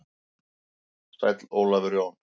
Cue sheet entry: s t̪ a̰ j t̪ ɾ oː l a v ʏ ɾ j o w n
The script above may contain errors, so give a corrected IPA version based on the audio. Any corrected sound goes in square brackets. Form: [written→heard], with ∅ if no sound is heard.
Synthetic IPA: s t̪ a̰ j t̪ [ɾ→l] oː l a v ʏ ɾ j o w n

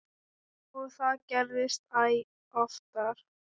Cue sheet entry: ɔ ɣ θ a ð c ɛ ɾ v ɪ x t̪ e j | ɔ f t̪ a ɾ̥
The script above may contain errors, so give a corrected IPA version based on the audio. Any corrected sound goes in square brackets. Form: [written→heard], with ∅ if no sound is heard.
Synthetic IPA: ɔ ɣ θ a ð c ɛ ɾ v ɪ [x→s] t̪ [e→a] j | ɔ f t̪ a ɾ̥

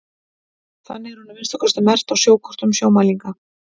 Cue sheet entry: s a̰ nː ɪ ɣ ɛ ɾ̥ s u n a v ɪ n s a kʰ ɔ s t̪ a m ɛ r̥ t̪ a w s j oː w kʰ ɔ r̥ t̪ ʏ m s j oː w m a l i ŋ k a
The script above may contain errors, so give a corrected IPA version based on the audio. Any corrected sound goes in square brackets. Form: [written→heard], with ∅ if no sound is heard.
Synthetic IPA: [s→θ] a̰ nː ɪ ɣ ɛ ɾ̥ [s→h] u n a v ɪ n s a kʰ ɔ s t̪ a m ɛ r̥ t̪ a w s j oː w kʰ ɔ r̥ t̪ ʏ m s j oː w m a l i ŋ k a

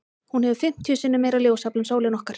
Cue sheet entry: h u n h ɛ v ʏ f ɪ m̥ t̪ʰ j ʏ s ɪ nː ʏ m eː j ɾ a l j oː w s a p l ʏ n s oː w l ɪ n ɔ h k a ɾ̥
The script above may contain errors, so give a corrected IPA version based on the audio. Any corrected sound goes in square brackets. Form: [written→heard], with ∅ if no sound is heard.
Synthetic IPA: h u n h ɛ v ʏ f ɪ m̥ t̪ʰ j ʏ s ɪ nː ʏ m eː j ɾ a l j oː w s a p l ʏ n s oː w l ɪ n ɔ h k a ɾ̥

